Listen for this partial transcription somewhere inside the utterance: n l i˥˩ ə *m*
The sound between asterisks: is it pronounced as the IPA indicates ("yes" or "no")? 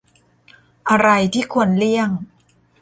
no